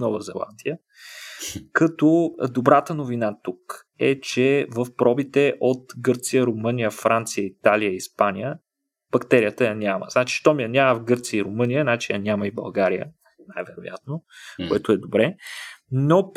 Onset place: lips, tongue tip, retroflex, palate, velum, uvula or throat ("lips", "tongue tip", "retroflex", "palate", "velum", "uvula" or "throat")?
tongue tip